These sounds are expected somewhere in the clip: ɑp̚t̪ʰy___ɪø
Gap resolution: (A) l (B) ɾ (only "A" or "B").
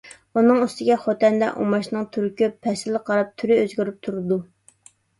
B